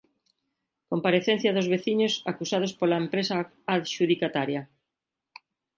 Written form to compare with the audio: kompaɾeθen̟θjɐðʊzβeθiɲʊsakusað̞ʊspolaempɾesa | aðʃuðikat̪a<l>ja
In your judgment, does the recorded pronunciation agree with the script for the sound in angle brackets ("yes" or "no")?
no